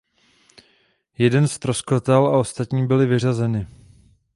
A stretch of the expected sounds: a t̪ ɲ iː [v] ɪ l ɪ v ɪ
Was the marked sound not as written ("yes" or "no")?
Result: yes